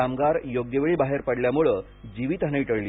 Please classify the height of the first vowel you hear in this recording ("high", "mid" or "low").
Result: low